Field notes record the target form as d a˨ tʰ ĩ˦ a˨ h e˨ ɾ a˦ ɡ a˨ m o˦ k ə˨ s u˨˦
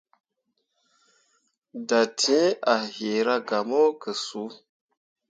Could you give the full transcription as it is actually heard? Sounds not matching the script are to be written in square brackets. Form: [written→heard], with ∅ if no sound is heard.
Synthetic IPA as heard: d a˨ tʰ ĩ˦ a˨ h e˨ ɾ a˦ ɡ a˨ m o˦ k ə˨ s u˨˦